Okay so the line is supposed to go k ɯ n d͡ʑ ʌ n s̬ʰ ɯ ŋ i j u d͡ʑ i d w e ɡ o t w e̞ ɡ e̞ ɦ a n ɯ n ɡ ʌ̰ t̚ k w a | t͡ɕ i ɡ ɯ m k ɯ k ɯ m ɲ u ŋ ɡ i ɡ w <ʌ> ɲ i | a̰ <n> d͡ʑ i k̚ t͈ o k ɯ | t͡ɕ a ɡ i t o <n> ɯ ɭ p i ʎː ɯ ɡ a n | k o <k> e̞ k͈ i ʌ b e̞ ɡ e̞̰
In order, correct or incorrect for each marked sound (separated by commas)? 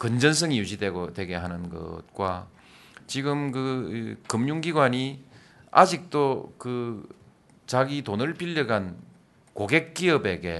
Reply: incorrect, incorrect, correct, incorrect